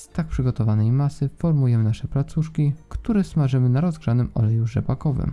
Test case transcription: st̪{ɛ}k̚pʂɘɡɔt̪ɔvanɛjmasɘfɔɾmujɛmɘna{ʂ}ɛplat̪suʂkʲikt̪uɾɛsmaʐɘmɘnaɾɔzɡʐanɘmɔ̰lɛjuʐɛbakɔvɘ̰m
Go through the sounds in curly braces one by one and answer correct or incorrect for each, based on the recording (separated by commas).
incorrect, correct